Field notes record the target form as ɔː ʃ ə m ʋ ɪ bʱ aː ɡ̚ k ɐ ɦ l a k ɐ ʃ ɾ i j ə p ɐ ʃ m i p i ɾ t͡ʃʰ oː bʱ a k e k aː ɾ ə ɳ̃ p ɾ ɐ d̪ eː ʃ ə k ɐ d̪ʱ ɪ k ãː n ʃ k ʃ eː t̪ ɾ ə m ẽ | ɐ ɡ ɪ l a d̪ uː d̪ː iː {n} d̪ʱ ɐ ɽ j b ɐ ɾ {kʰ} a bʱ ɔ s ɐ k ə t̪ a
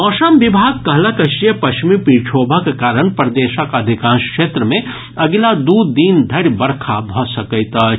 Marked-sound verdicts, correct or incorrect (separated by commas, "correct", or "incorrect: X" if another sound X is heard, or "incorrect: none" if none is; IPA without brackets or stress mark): correct, correct